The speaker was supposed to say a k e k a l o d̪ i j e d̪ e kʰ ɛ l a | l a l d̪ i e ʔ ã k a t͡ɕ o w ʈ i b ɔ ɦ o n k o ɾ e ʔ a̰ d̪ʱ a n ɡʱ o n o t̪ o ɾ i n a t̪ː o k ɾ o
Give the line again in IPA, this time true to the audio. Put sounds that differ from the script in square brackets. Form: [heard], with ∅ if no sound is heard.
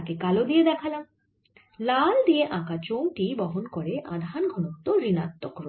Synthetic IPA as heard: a k e k a l o d̪ i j e d̪ [ɛ] kʰ [a] l a | l a l d̪ i e ʔ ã k a t͡ɕ o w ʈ i b ɔ ɦ o n k o ɾ e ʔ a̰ d̪ʱ a n ɡʱ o n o t̪ o ɾ i n a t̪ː o k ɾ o